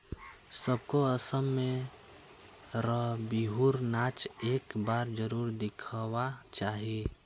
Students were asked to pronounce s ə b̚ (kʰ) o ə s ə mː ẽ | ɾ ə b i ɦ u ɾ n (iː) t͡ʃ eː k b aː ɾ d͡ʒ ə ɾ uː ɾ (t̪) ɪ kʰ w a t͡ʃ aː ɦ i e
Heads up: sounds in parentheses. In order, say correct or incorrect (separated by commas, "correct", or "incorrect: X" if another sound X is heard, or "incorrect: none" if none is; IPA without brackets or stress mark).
incorrect: k, incorrect: aː, incorrect: d̪